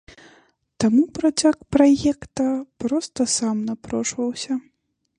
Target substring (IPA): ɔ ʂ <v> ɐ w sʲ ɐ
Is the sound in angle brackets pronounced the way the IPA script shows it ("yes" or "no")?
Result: yes